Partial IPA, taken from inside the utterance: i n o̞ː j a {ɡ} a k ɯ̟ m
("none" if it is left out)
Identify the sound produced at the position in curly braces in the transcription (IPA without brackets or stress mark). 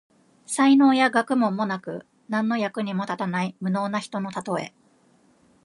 ɡ